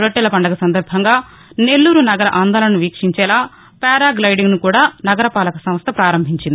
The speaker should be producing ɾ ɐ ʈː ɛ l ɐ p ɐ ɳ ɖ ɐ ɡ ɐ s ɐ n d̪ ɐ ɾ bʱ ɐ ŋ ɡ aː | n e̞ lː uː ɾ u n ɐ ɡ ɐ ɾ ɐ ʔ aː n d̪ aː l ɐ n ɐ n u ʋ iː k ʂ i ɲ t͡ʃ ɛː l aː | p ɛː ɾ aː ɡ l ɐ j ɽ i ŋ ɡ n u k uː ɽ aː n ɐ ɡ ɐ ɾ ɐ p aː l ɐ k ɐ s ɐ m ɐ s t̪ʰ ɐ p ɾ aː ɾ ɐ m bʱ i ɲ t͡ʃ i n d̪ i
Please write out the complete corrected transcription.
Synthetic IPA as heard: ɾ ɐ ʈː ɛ l ɐ p ɐ ɳ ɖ ɐ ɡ ɐ s ɐ n d̪ ɐ ɾ bʱ ɐ ŋ ɡ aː | n e̞ lː uː ɾ u n ɐ ɡ ɐ ɾ ɐ ʔ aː n d̪ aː l ɐ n ɐ n u ʋ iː k ʂ i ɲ t͡ʃ ɛː l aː | p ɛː ɾ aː ɡ l ɐ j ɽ i ŋ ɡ n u k uː ɽ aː n ɐ ɡ ɐ ɾ ɐ p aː l ɐ k ɐ s ɐ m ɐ s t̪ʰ ɐ p ɾ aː ɾ ɐ m bʱ i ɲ t͡ʃ i n d̪ i

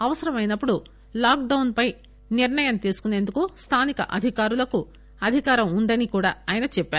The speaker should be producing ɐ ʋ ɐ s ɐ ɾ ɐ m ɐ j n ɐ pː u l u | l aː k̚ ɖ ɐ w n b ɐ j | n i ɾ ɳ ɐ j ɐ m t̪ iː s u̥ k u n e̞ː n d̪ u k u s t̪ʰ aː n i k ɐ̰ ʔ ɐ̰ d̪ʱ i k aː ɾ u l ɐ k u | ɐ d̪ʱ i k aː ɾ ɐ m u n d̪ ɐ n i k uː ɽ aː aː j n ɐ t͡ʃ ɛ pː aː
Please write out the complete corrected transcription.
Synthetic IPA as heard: ɐ ʋ ɐ s ɐ ɾ ɐ m ɐ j n ɐ pː u ɽ u | l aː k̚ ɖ ɐ w n p ɐ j | n i ɾ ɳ ɐ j ɐ m t̪ iː s u̥ k u n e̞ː n d̪ u k u s t̪ʰ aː n i k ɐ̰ ʔ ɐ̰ d̪ʱ i k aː ɾ u l ɐ k u | ɐ d̪ʱ i k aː ɾ ɐ m u n d̪ ɐ n i k uː ɽ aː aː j n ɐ t͡ʃ ɛ pː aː

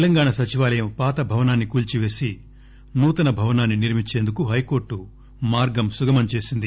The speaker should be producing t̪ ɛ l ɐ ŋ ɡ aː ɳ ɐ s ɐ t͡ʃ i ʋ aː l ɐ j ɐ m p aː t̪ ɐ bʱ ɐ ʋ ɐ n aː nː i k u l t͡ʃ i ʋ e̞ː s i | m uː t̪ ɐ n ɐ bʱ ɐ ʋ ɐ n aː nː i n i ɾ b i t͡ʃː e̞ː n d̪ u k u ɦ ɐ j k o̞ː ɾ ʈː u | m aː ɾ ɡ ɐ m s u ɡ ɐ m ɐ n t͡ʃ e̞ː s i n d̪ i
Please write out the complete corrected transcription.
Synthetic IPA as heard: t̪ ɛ l ɐ ŋ ɡ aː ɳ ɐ s ɐ t͡ʃ i ʋ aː l ɐ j ɐ m p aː t̪ ɐ bʱ ɐ ʋ ɐ n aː nː i k uː l t͡ʃ i ʋ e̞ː s i | n uː t̪ ɐ n ɐ bʱ ɐ ʋ ɐ n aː nː i n i ɾ m i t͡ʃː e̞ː n d̪ u k u ɦ ɐ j k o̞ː ɾ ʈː u | m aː ɾ ɡ ɐ m s u ɡ ɐ m ɐ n t͡ʃ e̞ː s i n d̪ i

